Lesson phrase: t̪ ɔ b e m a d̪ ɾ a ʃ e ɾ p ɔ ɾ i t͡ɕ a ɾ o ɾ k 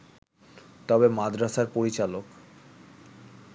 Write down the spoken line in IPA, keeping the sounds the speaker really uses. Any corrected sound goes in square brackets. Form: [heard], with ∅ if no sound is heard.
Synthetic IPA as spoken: t̪ ɔ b e m a d̪ ɾ a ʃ [a] ɾ p [o] ɾ i t͡ɕ a [l] o [∅] k